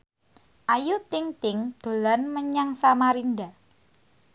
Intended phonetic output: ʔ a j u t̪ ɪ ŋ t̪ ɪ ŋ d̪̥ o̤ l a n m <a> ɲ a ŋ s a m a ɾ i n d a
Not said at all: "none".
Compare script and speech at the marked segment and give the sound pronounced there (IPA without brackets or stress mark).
ə